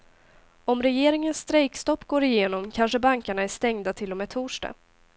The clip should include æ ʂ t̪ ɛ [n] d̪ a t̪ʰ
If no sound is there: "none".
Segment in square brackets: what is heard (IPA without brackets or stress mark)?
ŋ